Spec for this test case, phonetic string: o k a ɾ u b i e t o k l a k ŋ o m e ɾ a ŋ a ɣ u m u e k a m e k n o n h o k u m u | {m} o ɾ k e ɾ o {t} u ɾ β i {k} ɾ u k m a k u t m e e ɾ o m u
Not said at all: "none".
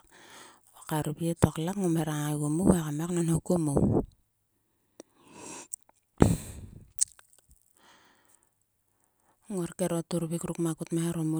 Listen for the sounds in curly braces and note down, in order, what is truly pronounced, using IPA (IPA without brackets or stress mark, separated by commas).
ŋ, t, k